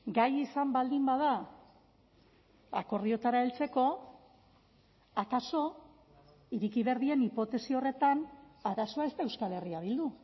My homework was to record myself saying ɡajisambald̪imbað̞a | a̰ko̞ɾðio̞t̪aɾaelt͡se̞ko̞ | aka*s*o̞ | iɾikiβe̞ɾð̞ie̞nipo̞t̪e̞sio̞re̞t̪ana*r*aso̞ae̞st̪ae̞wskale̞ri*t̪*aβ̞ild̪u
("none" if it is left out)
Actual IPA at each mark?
s, ɾ, none

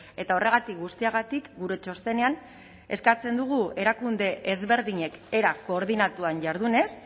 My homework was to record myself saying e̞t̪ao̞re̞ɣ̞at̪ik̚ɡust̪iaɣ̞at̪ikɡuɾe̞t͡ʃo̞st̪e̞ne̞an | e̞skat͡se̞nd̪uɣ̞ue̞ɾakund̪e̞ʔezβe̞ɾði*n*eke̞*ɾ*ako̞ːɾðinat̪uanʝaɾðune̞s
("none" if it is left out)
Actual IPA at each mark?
ɲ, ɾ

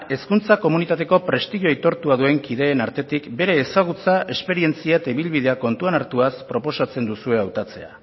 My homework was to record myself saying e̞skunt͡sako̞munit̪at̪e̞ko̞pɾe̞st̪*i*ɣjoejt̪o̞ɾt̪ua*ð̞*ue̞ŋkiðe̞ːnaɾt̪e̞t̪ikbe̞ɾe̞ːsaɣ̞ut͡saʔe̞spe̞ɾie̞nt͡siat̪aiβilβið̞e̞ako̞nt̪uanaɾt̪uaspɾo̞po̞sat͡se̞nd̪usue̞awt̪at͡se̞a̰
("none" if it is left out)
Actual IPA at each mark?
i, ð̞

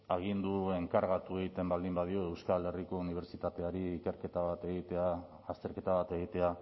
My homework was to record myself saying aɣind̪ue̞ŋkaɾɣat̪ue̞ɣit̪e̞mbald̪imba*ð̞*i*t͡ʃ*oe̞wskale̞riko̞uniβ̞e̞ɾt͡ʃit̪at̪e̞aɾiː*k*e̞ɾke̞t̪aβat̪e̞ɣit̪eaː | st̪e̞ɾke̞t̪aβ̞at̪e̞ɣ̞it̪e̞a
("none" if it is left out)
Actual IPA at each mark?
ð̞, none, k

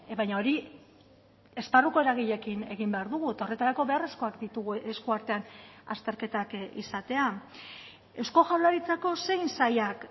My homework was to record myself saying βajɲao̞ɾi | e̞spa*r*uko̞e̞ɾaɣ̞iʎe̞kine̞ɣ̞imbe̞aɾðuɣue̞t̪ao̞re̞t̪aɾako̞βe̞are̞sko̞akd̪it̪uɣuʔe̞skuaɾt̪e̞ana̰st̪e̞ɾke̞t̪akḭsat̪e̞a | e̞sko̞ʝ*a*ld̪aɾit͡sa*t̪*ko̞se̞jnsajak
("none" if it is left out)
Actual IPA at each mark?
r, a, none

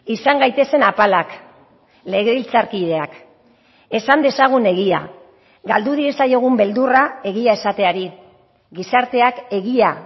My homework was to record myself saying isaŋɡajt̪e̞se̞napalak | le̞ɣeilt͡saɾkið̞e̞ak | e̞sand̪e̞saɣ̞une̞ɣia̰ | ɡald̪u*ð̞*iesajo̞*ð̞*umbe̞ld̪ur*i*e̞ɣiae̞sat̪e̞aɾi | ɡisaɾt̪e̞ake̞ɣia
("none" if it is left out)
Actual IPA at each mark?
ð̞, ɣ̞, a

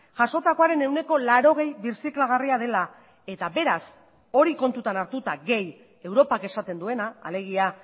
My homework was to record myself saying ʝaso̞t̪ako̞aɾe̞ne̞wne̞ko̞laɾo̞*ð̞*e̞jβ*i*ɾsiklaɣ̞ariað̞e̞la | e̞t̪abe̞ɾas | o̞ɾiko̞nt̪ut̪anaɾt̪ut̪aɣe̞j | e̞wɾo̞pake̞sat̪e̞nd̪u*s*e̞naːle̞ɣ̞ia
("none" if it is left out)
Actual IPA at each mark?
ɣ̞, i, none

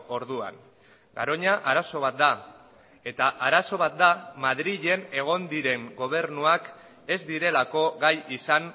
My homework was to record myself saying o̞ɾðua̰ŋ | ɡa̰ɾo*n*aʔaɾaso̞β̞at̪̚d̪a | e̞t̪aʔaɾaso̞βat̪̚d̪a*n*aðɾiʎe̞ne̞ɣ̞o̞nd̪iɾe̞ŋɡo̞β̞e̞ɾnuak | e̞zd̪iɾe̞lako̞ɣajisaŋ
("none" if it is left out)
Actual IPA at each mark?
ɲ, m

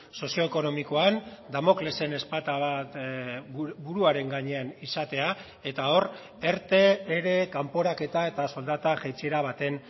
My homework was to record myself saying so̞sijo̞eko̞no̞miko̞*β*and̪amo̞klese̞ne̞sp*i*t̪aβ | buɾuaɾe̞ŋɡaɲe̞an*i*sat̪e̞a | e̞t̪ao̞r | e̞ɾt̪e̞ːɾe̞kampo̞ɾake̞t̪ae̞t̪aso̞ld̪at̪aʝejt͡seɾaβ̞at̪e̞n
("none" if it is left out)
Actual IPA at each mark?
none, a, i

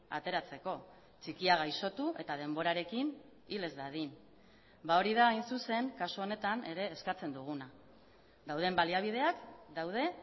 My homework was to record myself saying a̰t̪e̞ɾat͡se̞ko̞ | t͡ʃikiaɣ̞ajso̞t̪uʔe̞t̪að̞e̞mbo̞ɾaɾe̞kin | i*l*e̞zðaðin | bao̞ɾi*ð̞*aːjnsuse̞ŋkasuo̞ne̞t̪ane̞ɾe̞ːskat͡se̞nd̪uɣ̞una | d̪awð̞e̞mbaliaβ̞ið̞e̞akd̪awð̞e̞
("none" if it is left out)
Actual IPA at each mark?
l, ð̞

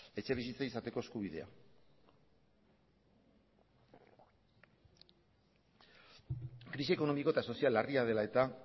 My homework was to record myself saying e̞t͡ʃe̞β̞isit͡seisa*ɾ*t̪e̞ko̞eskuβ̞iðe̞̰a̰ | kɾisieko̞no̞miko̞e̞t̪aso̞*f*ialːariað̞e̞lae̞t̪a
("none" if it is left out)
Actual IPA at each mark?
none, s

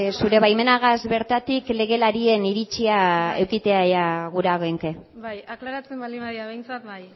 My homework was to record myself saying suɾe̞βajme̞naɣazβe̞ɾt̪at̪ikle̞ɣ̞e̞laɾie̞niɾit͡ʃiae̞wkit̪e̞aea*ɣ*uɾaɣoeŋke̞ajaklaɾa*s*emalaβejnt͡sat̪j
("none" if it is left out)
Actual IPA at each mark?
ɣ, t͡s

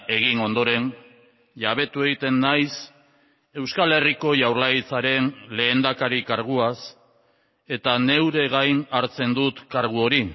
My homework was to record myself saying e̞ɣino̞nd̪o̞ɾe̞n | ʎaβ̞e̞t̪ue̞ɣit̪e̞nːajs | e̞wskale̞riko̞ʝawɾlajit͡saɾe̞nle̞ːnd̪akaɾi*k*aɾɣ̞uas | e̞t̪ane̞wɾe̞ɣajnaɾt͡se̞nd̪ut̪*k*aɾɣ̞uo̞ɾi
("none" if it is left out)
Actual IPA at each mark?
k, k

